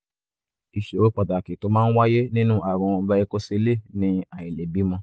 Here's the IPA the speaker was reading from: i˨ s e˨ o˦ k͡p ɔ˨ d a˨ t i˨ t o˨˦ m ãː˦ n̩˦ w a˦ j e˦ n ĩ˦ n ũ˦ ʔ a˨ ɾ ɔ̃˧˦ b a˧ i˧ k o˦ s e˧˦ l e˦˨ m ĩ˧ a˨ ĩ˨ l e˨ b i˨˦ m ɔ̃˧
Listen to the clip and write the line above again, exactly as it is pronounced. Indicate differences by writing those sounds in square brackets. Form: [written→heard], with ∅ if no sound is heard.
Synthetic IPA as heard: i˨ [s→ʃ] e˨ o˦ k͡p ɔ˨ d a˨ [t→k] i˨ t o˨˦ m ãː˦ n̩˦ w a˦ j e˦ n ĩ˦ n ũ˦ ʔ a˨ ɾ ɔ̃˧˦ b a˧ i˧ k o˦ s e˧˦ l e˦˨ [m→n] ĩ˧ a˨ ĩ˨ l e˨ b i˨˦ m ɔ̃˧